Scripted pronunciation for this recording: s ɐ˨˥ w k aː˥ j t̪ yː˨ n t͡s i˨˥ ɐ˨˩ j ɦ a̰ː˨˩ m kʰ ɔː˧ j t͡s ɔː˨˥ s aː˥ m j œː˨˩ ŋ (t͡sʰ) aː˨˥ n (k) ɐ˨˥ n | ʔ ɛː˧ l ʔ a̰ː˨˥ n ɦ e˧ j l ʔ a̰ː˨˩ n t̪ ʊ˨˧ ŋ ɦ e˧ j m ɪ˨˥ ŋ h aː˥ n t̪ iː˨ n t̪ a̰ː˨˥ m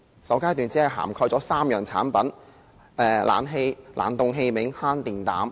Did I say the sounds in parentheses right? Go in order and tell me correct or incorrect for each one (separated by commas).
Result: correct, incorrect